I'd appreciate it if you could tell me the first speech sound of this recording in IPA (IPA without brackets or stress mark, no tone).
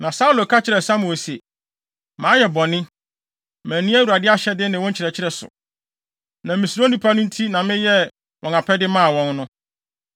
n